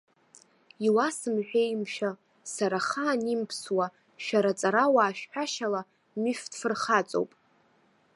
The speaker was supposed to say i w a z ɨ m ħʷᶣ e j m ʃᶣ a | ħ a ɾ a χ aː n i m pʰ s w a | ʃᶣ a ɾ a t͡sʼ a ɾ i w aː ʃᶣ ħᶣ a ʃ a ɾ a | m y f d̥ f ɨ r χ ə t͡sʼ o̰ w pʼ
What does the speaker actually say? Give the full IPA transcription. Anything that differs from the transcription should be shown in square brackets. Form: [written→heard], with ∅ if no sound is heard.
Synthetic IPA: i w a [z→s] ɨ m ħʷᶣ e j m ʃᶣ a | [ħ→s] a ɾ a χ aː n i m pʰ s w a | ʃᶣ a ɾ a t͡sʼ a ɾ [i→a] w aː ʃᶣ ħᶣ a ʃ a [ɾ→l] a | m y f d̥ f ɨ r χ [ə→a] t͡sʼ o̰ w pʼ